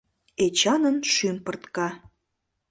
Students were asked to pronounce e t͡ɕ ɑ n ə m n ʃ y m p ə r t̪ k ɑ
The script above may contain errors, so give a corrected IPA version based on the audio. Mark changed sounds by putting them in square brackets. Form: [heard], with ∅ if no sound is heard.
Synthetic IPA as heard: e t͡ɕ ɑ n ə [∅] n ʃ y m p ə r t̪ k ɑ